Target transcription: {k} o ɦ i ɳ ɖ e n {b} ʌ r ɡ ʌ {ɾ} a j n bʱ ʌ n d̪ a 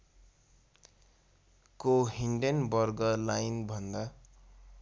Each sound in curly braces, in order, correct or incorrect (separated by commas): correct, correct, incorrect